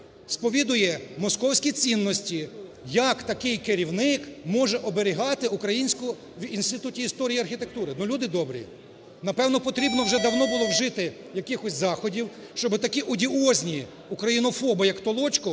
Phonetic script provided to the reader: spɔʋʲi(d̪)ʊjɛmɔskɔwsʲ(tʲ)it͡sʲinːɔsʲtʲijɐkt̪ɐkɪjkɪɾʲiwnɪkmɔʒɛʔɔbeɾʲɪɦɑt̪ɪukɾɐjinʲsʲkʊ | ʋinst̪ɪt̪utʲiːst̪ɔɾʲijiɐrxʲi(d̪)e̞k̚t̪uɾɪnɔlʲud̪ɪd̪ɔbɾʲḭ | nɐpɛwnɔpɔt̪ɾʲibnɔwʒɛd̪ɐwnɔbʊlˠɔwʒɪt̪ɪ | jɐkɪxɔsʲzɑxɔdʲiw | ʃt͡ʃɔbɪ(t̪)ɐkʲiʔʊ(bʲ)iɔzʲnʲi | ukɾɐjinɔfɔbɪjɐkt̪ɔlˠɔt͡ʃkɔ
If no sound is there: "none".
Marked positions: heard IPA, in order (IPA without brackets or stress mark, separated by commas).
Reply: d̪, kʲ, t̪, t̪, dʲ